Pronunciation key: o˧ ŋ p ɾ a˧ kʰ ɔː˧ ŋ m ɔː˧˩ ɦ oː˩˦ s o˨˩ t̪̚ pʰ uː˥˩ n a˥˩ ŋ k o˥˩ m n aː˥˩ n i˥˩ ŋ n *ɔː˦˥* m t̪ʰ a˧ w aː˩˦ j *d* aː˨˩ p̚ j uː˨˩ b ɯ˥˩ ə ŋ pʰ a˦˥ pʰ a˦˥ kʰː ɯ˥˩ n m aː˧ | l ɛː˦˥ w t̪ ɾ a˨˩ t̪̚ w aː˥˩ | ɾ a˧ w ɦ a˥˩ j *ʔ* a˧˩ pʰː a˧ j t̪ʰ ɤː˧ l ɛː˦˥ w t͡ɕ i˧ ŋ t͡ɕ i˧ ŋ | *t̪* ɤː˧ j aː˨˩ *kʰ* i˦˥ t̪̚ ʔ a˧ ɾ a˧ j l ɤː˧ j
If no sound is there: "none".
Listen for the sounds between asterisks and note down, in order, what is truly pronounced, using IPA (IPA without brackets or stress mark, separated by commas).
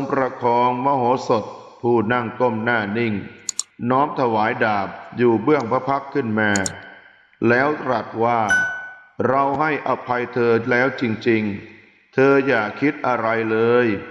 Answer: ɔː˦˥, d, ʔ, t̪ʰ, kʰ